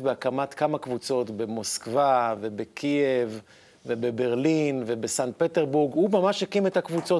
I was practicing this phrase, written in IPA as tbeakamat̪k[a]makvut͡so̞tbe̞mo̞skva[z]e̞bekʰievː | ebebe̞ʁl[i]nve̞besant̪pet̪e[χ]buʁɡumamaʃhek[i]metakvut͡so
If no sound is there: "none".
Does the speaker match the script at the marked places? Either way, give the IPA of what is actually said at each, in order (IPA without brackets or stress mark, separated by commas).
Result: a, v, i, ʁ, i